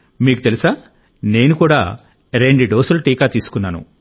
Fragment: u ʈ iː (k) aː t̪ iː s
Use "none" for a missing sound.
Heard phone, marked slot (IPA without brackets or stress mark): k